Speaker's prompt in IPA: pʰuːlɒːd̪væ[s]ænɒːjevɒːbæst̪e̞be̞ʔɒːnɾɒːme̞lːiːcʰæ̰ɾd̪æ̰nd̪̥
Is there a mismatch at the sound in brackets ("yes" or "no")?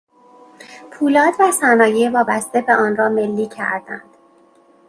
no